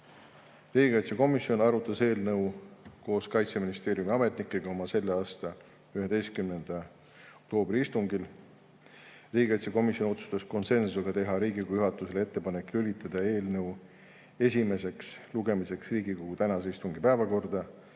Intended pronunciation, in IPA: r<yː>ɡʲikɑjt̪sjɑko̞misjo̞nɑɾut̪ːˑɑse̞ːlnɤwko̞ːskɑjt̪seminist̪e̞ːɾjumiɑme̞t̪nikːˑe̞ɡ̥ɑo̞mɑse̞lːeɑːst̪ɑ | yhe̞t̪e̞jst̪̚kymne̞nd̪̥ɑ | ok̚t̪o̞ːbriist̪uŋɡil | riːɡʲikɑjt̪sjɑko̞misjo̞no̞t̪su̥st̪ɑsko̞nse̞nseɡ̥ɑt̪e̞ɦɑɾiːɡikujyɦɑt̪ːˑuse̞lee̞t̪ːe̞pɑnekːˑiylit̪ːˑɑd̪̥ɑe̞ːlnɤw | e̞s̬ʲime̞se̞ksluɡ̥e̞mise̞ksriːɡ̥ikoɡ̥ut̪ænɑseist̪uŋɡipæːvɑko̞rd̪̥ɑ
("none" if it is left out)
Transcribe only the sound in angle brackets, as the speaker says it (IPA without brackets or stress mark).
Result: iː